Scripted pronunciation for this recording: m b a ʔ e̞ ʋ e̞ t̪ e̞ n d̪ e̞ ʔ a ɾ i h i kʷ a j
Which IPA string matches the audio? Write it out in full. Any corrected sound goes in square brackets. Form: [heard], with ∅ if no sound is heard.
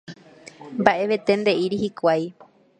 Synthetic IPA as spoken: m b a ʔ e̞ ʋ e̞ t̪ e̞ n d̪ e̞ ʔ [i] ɾ i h i kʷ a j